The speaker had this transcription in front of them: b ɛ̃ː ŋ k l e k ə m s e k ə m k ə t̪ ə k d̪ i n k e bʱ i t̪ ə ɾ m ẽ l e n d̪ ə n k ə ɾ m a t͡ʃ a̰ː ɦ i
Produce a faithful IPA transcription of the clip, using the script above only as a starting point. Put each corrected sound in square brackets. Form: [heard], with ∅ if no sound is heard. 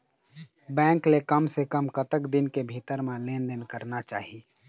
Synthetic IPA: b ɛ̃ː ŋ k l e k ə m s e k ə m k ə t̪ ə k d̪ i n k e bʱ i t̪ ə ɾ m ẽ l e n d̪ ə n k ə ɾ [n] a t͡ʃ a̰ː ɦ i